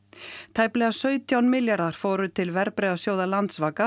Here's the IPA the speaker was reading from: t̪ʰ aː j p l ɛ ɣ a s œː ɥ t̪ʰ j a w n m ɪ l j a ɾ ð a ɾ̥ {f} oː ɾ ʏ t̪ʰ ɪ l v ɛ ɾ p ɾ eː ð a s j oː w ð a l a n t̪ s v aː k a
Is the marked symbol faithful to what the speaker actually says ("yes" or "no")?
yes